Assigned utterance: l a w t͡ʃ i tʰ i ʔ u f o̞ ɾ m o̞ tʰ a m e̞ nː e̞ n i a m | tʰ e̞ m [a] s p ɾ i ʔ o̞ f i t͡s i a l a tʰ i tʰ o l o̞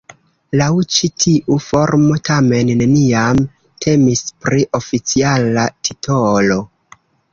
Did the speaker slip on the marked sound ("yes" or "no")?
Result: yes